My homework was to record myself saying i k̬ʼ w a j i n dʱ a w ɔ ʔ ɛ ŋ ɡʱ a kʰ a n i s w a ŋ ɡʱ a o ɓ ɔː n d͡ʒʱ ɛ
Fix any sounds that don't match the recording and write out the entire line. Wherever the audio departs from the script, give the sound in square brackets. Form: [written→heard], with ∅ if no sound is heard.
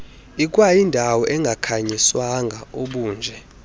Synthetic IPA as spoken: i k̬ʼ w a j i n dʱ a w ɔ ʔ ɛ ŋ ɡʱ a kʰ a [n→ɲ] i s w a ŋ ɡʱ a o ɓ [ɔː→uː] n d͡ʒʱ ɛ